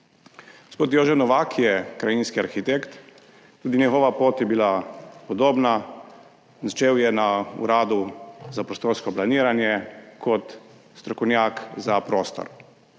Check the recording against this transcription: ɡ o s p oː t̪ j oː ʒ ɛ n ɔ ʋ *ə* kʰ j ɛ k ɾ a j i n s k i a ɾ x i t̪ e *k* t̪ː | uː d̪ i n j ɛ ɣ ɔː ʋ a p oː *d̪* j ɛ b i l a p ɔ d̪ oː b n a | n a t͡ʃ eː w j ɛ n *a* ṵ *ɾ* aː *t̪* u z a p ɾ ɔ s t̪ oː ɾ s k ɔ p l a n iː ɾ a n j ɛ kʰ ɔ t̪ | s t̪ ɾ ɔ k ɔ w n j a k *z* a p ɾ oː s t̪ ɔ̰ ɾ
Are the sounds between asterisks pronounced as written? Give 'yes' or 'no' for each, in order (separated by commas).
no, yes, no, yes, yes, no, yes